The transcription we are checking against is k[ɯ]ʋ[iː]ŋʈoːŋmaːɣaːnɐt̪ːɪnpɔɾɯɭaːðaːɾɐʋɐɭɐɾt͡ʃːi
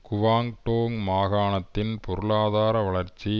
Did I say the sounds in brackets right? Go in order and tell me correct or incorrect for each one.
incorrect: ʊ, incorrect: aː

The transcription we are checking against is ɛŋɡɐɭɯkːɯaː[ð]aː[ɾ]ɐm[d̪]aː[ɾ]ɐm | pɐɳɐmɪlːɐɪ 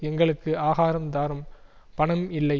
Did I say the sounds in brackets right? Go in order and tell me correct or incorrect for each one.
incorrect: ɣ, correct, correct, correct

